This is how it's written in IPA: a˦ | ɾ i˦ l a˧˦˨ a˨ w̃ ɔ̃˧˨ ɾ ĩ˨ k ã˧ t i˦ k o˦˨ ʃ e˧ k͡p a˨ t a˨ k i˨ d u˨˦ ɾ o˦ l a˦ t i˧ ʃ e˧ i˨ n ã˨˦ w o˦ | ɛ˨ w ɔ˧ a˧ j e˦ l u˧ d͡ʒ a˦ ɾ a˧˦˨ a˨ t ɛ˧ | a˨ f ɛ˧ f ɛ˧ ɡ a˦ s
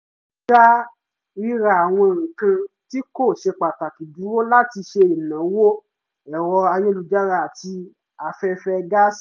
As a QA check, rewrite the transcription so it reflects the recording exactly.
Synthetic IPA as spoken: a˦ | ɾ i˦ ɾ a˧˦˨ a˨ w̃ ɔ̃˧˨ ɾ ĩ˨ k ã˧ t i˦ k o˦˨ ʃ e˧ k͡p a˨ t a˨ k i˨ d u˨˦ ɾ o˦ l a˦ t i˧ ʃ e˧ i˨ n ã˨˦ w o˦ | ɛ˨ w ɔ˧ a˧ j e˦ l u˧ d͡ʒ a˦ ɾ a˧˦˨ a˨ t i˧ | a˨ f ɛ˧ f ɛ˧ ɡ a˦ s